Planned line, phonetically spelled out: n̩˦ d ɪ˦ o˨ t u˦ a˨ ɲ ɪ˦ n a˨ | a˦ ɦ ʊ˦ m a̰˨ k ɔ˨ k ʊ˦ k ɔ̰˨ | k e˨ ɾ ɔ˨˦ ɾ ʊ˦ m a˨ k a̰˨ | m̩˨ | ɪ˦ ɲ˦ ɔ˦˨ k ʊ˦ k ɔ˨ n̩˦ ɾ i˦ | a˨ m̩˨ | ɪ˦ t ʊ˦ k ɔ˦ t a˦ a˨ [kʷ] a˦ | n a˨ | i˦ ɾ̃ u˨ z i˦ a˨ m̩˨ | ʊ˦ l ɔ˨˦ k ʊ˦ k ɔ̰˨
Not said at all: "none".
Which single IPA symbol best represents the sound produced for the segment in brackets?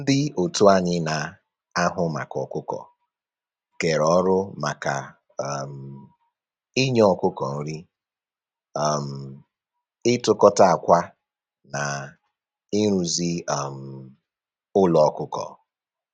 kʷ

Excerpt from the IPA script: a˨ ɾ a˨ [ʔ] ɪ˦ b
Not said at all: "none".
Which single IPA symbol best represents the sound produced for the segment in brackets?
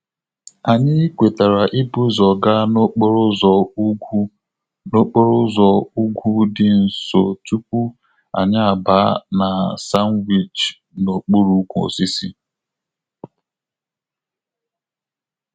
ʔ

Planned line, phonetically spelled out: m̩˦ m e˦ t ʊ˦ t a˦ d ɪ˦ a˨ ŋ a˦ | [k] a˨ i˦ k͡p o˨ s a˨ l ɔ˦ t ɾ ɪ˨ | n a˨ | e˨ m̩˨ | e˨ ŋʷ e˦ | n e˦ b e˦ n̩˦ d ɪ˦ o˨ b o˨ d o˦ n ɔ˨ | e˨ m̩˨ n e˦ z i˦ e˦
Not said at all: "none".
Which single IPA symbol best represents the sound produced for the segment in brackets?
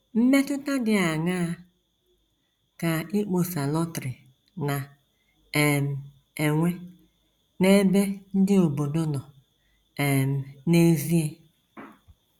k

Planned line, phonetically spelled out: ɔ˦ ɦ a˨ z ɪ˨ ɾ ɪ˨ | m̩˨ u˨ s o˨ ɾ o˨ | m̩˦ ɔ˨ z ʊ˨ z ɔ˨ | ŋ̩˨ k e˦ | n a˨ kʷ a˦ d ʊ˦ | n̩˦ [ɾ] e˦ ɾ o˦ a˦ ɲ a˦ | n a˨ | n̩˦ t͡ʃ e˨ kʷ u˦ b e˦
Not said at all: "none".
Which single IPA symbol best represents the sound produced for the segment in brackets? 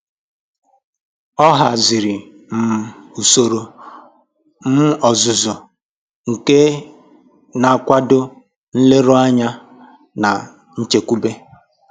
l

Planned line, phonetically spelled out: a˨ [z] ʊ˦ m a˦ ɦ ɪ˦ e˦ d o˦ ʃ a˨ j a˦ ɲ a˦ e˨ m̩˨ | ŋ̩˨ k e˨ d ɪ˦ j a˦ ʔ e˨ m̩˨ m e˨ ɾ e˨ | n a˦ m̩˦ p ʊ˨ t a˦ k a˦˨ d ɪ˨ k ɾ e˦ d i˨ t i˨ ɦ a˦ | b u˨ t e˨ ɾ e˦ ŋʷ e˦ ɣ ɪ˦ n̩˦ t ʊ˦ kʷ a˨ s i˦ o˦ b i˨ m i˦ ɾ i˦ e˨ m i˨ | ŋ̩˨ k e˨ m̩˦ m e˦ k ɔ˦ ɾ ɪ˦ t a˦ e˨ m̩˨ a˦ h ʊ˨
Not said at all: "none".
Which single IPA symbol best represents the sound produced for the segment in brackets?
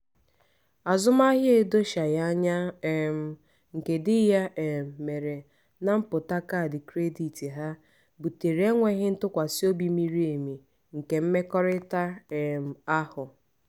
z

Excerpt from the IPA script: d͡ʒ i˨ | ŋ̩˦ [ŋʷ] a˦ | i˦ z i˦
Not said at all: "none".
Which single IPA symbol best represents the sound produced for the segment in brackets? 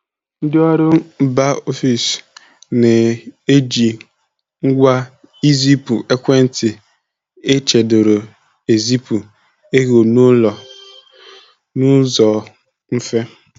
ɡʷ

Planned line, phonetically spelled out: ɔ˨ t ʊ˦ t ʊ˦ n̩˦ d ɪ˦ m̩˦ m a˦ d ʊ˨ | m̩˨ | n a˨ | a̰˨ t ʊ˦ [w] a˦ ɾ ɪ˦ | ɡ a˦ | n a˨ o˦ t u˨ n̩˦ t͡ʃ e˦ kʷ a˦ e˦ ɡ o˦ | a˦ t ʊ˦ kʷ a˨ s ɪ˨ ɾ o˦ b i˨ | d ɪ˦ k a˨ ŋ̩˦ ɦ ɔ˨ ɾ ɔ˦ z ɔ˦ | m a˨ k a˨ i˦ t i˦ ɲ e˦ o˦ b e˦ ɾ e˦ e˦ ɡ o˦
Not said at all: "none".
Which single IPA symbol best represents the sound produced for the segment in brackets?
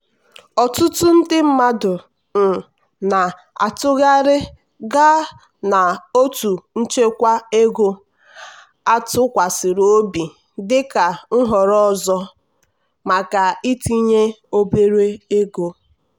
ɣ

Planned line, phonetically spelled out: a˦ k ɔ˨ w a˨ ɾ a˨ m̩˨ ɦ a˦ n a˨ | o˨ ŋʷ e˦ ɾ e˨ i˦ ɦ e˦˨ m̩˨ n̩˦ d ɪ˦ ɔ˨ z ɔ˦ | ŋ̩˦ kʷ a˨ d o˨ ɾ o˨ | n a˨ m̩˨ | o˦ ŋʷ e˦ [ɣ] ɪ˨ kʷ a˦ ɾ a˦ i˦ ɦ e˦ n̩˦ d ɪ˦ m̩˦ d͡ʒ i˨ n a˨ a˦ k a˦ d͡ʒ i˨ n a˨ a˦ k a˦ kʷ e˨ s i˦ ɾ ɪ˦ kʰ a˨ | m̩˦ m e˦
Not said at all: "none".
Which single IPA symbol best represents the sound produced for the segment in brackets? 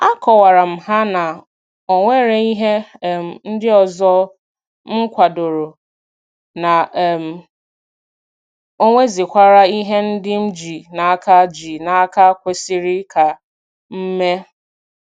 z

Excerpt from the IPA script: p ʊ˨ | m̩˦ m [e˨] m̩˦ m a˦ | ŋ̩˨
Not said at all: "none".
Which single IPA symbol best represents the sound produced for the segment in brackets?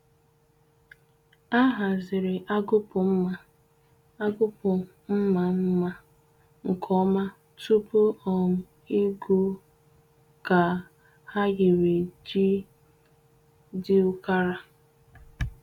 a˨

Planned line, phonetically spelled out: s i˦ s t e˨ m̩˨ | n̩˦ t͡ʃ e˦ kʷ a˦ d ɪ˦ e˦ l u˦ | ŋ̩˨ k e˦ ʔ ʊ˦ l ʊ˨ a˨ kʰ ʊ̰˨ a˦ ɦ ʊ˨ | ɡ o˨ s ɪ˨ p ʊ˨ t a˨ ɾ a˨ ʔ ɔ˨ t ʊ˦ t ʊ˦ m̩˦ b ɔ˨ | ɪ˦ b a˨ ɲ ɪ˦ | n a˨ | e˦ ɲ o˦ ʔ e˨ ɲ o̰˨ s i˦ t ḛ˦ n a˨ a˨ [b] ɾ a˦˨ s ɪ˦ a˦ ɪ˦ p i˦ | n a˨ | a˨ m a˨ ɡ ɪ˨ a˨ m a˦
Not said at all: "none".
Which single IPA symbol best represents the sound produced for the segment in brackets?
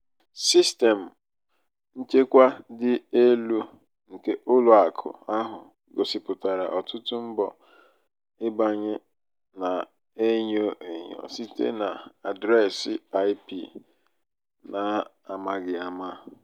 d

